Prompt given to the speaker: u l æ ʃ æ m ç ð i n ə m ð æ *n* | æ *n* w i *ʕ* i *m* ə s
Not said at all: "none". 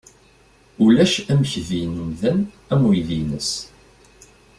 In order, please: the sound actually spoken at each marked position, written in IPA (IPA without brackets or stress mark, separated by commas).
n, m, ð, n